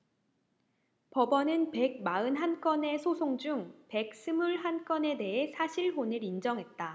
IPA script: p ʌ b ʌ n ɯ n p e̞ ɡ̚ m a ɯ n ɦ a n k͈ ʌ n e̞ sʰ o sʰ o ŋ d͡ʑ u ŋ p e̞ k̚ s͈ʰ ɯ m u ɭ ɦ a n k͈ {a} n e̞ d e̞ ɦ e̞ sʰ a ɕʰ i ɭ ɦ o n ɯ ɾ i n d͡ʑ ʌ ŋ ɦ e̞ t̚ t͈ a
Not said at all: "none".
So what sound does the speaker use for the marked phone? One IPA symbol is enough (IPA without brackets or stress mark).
ʌ